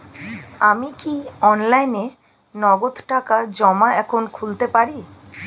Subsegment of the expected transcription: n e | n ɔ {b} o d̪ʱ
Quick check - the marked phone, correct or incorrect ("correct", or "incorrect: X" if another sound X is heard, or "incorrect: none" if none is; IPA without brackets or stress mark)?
incorrect: ɡ